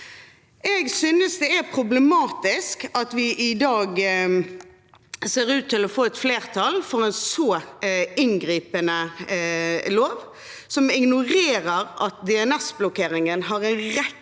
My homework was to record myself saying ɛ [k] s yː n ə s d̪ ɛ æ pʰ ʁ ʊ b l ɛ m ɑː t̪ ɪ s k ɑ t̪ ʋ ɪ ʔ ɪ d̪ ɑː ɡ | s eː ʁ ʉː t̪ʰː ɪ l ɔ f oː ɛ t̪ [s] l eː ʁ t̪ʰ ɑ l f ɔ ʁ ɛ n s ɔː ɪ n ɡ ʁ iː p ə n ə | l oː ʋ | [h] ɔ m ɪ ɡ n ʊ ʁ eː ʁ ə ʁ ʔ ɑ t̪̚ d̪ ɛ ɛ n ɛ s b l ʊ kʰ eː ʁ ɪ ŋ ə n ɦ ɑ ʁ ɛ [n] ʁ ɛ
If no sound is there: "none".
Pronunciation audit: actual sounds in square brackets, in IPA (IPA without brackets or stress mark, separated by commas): ɡ, f, s, n